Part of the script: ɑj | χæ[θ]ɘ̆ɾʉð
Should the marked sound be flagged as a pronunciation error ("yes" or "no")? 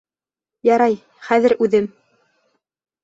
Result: yes